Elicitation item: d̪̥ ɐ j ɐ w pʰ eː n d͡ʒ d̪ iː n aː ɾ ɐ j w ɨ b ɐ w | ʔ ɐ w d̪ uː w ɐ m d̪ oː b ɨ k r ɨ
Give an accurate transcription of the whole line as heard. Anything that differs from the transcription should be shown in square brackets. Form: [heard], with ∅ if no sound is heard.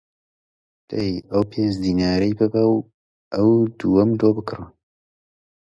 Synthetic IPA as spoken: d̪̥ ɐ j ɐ w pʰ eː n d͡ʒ d̪ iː n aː ɾ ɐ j [b] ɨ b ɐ w | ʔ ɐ w d̪ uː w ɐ m d̪ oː b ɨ k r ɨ